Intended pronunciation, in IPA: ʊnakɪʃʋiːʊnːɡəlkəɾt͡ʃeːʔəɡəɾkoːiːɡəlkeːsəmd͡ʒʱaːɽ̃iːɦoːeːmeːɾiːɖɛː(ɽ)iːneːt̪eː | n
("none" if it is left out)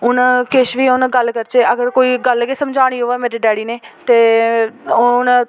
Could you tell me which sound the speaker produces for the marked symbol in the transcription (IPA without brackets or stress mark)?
ɽ